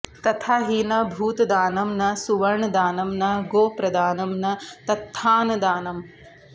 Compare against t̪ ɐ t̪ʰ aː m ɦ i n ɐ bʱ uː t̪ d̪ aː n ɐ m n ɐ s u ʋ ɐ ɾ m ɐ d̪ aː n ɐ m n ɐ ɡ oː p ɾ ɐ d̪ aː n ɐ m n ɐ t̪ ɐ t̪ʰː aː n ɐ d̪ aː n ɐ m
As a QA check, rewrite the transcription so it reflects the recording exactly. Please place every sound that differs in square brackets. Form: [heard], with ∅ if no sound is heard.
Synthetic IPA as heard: t̪ ɐ t̪ʰ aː [∅] ɦ i n ɐ bʱ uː t̪ d̪ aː n ɐ m n ɐ s u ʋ ɐ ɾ [ɳ] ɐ d̪ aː n ɐ m n ɐ ɡ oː p ɾ ɐ d̪ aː n ɐ m n ɐ t̪ ɐ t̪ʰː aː n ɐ d̪ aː n ɐ m